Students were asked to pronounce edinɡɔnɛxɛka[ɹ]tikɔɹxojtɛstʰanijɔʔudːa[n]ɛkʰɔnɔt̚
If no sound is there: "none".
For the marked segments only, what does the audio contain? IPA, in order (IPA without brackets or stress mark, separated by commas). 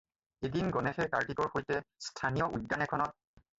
ɹ, n